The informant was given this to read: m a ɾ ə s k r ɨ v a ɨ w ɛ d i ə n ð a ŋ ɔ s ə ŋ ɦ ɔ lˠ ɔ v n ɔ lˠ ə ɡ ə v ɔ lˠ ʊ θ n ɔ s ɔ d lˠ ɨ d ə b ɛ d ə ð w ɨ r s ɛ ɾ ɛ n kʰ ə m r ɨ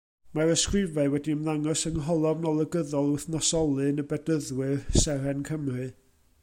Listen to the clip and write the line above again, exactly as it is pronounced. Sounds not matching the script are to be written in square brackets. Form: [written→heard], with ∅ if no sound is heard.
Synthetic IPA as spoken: m a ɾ ə s k r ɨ v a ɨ w ɛ d i ə [n→m] ð a ŋ ɔ s ə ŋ ɦ ɔ lˠ ɔ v n ɔ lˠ ə ɡ ə [v→ð] ɔ lˠ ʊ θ n ɔ s ɔ [d→∅] lˠ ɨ [d→n] ə b ɛ d ə ð w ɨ r s ɛ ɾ ɛ n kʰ ə m r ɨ